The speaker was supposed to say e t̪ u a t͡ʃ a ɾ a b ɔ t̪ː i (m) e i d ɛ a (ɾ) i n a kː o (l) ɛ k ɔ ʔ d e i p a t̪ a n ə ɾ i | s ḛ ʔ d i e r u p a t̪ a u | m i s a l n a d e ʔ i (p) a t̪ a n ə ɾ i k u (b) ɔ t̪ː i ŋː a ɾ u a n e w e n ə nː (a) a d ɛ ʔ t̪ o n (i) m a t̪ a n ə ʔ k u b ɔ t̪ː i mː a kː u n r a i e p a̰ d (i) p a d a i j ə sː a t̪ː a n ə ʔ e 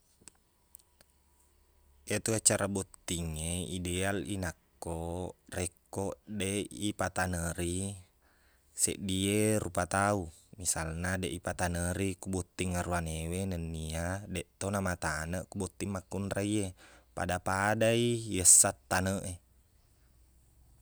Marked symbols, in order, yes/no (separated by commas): no, no, no, yes, yes, no, no, no